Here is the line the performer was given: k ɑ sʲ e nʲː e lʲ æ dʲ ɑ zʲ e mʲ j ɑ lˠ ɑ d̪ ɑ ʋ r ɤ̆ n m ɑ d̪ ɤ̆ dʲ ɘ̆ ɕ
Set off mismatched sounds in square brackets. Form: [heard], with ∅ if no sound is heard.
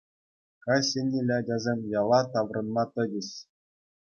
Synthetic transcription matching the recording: k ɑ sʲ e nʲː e lʲ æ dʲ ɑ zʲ e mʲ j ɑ lˠ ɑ [t̪] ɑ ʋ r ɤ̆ n m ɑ [t̪] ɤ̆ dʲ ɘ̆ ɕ